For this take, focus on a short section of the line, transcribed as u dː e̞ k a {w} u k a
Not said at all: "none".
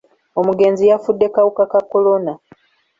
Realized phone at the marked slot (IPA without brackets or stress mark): w